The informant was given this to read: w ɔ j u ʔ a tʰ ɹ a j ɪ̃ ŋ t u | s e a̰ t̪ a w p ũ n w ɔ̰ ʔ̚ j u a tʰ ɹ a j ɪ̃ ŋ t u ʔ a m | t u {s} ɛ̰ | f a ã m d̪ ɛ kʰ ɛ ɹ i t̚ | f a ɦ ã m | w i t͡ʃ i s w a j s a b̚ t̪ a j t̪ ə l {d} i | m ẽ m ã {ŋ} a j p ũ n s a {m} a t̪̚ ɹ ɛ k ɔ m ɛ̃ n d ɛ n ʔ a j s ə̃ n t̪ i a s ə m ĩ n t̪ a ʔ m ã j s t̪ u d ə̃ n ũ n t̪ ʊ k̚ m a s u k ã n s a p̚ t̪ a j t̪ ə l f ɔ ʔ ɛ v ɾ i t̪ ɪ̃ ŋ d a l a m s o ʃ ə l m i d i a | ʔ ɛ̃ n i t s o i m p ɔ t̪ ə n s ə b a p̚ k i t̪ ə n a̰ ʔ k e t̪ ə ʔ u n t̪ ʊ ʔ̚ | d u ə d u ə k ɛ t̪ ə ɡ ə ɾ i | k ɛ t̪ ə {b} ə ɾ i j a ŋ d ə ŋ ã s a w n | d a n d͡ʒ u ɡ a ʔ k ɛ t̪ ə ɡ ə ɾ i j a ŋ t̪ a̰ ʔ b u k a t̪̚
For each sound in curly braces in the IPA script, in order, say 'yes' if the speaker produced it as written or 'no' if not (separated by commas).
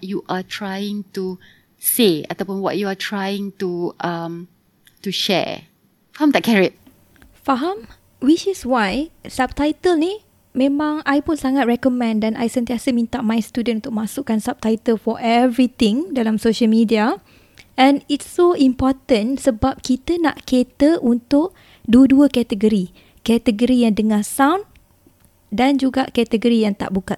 no, no, yes, no, no